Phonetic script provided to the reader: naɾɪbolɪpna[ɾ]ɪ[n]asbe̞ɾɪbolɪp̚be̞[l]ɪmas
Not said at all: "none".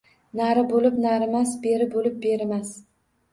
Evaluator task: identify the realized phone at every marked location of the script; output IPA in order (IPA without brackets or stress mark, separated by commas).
ɾ, m, ɾ